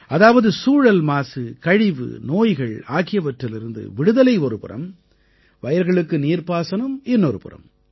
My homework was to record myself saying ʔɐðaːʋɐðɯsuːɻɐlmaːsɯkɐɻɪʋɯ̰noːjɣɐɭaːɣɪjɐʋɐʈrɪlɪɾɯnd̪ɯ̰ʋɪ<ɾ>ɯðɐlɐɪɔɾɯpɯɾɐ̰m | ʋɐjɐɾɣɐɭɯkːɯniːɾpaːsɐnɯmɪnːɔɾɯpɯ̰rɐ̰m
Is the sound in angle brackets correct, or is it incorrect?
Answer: incorrect